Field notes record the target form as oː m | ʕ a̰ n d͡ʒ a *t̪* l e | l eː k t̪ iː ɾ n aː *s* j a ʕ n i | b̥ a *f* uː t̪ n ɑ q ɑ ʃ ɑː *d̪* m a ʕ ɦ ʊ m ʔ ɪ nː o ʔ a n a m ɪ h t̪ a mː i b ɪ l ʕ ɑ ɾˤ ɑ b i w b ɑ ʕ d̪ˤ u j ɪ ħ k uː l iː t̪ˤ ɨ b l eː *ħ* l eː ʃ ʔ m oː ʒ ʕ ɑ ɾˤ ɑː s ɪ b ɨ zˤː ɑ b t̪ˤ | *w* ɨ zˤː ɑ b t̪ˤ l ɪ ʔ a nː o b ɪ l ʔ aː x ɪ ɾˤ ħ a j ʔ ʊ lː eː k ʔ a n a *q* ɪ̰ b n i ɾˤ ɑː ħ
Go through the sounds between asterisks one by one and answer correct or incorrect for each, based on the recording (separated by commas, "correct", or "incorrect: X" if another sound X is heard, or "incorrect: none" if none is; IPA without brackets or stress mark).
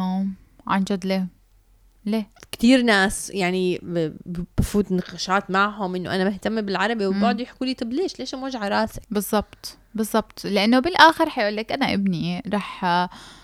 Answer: incorrect: d̪, correct, correct, incorrect: t̪, incorrect: ʃ, incorrect: b, incorrect: ʔ